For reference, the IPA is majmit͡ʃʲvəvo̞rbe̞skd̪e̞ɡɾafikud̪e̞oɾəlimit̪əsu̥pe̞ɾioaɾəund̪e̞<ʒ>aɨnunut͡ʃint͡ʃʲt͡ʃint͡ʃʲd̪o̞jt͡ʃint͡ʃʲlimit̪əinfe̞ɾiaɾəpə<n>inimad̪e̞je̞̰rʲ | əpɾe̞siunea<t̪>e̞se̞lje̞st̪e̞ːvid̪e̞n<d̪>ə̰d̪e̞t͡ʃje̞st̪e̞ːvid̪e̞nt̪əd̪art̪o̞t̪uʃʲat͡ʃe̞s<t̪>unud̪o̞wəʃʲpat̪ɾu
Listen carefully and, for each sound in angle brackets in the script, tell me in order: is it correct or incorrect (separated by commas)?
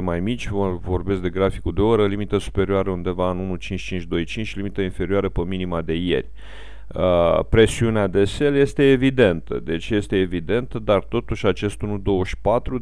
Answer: incorrect, incorrect, incorrect, incorrect, correct